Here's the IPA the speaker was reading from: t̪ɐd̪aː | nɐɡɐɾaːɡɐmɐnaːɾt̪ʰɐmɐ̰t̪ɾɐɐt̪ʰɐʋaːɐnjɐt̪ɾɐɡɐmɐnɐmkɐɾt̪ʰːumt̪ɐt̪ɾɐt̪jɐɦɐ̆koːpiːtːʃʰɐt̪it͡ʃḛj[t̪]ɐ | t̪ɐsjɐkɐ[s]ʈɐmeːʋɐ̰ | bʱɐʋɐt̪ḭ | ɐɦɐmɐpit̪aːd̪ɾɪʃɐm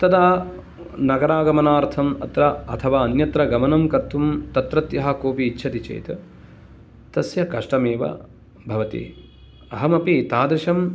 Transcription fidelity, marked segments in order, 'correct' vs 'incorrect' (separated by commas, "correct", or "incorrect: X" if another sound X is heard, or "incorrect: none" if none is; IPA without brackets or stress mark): correct, incorrect: ʂ